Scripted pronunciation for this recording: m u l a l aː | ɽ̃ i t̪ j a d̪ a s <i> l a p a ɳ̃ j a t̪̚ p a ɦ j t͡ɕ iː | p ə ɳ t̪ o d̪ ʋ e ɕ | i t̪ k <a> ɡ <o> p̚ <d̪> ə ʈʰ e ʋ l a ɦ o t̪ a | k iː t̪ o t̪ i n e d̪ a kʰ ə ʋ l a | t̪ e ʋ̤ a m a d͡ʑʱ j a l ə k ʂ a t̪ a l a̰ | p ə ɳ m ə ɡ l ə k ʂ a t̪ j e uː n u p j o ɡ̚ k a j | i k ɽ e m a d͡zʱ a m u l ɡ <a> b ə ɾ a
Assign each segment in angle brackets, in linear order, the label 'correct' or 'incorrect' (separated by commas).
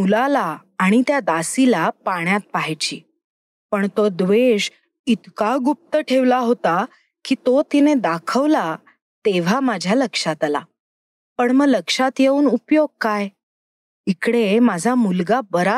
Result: correct, correct, incorrect, incorrect, correct